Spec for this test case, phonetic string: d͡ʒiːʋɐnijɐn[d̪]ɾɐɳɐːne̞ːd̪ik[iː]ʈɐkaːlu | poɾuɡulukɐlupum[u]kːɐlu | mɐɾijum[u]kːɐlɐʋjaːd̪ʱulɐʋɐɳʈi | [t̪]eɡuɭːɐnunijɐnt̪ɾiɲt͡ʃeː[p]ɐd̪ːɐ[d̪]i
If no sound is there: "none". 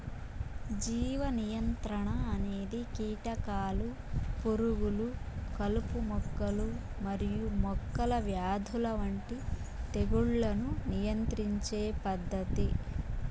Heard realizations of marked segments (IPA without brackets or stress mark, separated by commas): t̪, iː, ɔ, ɔ, t̪, p, t̪